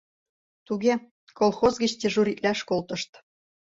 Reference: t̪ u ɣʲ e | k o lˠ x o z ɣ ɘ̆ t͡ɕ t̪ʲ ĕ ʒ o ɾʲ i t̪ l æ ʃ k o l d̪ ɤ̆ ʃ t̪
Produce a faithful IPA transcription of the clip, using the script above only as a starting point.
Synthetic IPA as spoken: t̪ u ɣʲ e | k o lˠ x o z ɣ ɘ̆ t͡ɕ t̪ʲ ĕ ʒ u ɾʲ i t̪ l æ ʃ k o l t̪ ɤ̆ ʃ t̪

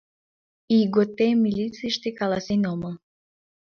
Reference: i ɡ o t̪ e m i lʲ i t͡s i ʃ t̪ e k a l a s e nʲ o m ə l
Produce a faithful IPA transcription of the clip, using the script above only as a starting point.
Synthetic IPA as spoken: i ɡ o t̪ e m i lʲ i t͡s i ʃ t̪ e k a l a s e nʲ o m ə l

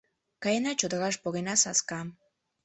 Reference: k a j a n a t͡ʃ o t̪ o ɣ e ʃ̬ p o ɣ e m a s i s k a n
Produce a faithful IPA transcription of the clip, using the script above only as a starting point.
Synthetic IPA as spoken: k a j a n a t͡ʃ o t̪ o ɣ a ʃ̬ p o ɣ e n a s a s k a m

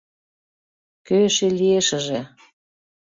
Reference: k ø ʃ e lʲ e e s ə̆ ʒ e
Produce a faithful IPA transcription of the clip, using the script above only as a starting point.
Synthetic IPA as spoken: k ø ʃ e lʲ i e ʃ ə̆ ʒ e

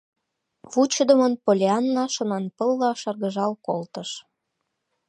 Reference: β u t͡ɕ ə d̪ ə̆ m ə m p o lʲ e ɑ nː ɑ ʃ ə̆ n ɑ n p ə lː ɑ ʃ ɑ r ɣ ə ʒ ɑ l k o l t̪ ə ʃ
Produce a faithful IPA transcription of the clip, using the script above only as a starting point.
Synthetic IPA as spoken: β u t͡ɕ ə d̪ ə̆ m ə n p o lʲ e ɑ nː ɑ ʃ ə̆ n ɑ n p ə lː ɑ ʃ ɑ r ɣ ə ʒ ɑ l k o l t̪ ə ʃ

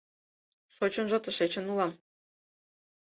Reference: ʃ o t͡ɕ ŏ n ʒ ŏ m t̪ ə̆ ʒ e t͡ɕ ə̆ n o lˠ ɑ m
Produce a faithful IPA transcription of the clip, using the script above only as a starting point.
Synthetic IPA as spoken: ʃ o t͡ɕ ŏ n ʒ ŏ t̪ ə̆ ʃ e t͡ɕ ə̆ n u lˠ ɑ m

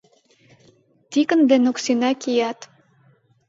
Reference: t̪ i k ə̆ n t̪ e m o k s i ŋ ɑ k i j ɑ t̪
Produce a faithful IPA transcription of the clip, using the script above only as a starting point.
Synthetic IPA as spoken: t̪ i k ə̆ n d̪ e n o k s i n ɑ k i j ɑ t̪

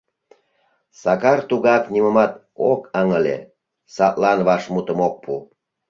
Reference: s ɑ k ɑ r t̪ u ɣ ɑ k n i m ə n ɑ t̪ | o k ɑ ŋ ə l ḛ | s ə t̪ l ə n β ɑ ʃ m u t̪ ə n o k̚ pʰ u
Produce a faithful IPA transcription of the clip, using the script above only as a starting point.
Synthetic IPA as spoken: s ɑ k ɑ r t̪ u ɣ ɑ k n i m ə m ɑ t̪ | o k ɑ ŋ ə l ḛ | s ɑ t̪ l ɑ n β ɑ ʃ m u t̪ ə m o k̚ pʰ u

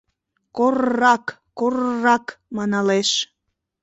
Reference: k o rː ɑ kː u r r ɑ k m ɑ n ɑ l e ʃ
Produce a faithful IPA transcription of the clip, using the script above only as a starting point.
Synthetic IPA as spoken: k o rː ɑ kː o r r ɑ k m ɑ n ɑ l e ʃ

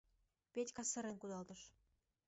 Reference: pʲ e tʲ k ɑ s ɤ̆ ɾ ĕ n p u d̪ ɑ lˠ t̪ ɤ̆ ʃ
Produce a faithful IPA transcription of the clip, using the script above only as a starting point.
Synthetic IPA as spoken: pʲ e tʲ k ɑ s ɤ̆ ɾ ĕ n k u d̪ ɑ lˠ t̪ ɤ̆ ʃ

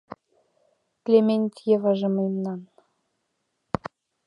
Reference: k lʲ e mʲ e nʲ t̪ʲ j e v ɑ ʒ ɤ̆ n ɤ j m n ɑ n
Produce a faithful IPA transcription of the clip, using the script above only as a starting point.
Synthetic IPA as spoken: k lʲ e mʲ e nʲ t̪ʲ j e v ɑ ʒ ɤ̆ m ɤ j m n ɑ n

